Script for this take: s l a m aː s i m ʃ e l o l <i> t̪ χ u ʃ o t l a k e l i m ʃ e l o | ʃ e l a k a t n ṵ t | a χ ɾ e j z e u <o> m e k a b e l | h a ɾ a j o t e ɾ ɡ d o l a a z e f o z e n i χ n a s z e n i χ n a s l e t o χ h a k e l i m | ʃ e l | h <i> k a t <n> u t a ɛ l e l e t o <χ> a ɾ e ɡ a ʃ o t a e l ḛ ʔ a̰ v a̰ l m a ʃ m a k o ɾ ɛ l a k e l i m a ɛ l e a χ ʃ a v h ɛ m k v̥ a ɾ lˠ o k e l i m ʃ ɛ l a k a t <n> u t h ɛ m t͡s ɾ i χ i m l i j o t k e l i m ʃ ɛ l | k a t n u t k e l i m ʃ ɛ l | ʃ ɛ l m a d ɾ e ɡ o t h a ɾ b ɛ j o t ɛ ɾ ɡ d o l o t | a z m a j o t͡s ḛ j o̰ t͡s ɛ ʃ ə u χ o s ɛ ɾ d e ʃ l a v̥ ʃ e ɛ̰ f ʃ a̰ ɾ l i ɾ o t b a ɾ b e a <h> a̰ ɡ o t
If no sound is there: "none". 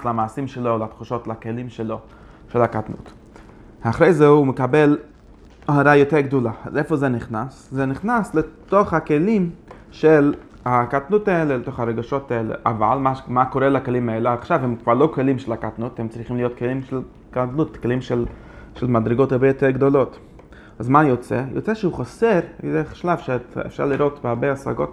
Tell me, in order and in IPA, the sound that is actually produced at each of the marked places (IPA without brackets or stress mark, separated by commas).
a, u, a, n, χ, n, s